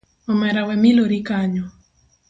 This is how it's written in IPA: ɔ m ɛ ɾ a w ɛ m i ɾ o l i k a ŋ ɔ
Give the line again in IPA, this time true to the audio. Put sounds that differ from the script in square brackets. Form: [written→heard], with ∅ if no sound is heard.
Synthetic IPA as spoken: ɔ m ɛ ɾ a w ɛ m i [ɾ→l] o [l→ɾ] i k a [ŋ→ɲ] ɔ